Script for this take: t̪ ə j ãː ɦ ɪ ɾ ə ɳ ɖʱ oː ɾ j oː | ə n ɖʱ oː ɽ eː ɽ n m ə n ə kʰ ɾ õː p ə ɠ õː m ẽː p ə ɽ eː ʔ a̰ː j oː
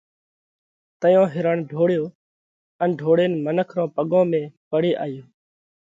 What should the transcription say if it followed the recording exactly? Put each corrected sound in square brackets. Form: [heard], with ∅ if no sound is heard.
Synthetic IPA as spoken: t̪ ə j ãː ɦ ɪ ɾ ə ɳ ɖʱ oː [ɽ] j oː | ə n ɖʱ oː ɽ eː [∅] n m ə n ə kʰ ɾ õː p ə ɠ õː m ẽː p ə ɽ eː ʔ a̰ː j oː